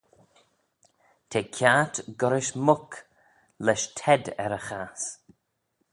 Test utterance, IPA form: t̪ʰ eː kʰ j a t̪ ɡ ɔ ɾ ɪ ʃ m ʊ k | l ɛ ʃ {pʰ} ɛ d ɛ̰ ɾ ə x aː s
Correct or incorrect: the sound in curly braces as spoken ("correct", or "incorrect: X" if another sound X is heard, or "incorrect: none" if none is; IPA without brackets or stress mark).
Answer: incorrect: tʰ